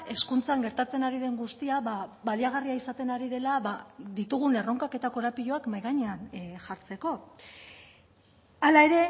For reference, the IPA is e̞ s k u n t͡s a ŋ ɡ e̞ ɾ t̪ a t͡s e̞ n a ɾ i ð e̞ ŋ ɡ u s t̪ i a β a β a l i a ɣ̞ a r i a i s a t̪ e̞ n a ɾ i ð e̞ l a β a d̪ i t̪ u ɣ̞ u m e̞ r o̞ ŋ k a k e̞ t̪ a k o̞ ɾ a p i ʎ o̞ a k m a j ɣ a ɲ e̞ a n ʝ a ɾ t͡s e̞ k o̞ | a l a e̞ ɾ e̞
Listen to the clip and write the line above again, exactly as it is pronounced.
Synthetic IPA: e̞ s k u n t͡s a ŋ ɡ e̞ ɾ t̪ a t͡s e̞ n a ɾ i ð e̞ ŋ ɡ u s t̪ i a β a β a l i a ɣ̞ a r i a i s a t̪ e̞ n a ɾ i ð e̞ l a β a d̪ i t̪ u ɣ̞ u n e̞ r o̞ ŋ k a k e̞ t̪ a k o̞ ɾ a p i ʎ o̞ a k m a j ɣ a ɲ e̞ a n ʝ a ɾ t͡s e̞ k o̞ | a l a e̞ ɾ e̞